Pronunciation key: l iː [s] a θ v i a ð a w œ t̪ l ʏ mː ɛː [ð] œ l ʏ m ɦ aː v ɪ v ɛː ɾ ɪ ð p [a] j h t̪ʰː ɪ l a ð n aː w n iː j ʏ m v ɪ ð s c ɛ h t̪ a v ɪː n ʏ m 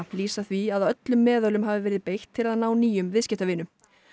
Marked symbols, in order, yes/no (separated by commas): yes, yes, no